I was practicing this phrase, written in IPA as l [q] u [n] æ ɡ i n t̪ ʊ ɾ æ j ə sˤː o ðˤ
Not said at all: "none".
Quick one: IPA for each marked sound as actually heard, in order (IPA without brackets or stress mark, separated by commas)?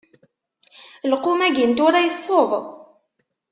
q, m